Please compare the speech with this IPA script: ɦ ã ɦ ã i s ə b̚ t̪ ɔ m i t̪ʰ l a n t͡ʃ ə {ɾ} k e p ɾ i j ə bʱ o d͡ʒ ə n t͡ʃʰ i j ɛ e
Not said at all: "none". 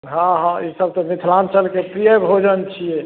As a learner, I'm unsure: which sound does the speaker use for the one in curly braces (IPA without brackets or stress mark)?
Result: l